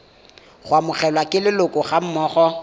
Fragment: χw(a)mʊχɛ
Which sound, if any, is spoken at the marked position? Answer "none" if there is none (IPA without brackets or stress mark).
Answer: a